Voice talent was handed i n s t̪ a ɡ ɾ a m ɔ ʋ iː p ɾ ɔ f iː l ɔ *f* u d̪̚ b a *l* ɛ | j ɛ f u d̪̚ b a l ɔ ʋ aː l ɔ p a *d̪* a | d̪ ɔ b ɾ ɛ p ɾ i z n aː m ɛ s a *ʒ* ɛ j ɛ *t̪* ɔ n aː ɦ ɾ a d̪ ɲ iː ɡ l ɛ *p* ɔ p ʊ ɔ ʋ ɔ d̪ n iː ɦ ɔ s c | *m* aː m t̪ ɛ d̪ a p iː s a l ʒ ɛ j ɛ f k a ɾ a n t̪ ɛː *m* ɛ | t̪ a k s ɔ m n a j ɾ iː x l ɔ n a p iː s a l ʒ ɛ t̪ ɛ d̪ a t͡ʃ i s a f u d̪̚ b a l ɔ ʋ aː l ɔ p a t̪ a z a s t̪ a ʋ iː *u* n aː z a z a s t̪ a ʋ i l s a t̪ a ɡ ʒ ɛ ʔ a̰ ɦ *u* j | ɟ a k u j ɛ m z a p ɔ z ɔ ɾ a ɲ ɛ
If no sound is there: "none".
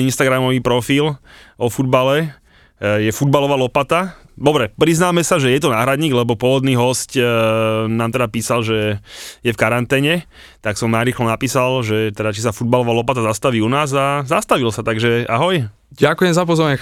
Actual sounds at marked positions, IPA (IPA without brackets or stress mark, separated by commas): f, l, t̪, ʒ, t̪, b, n, ɲ, u, ɔ